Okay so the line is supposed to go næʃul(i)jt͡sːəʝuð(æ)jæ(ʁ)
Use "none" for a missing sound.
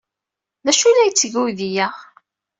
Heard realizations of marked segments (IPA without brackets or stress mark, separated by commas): æ, i, ʁ